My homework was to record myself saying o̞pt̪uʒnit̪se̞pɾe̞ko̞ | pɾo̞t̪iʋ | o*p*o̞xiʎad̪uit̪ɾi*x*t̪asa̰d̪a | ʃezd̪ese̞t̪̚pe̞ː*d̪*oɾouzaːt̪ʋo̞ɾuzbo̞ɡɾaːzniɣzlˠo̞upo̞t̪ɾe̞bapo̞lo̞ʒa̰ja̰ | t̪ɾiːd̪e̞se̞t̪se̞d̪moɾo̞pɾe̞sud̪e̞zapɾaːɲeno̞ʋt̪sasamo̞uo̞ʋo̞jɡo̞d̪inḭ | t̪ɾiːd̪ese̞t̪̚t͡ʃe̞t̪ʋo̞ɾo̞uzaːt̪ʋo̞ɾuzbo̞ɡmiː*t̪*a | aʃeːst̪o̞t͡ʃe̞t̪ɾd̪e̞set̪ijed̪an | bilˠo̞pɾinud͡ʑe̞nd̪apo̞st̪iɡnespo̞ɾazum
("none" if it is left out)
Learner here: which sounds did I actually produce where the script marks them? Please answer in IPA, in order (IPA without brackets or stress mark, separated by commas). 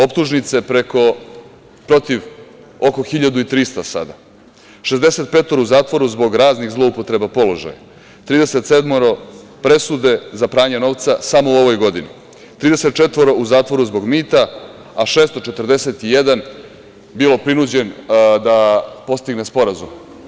k, s, t̪, t̪